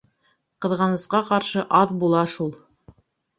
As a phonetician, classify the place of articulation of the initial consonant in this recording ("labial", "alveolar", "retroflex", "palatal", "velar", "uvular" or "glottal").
uvular